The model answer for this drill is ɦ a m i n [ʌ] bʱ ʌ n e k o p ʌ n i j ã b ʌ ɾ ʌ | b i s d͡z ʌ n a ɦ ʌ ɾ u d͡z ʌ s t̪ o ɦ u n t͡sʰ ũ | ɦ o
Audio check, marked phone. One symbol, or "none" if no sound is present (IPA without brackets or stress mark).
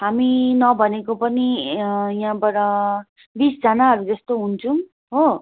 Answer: ʌ